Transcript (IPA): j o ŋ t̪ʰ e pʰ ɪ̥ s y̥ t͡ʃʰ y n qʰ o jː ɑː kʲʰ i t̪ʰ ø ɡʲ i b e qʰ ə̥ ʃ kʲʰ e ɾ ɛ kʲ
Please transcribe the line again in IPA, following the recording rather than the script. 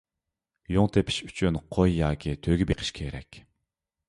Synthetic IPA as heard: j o ŋ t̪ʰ e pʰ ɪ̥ ʃ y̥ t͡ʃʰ y n qʰ o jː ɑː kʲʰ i t̪ʰ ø ɡʲ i b e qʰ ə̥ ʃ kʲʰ e ɾ ɛ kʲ